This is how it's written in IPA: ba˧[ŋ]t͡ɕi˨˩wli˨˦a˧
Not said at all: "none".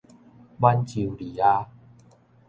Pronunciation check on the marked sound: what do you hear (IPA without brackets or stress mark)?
n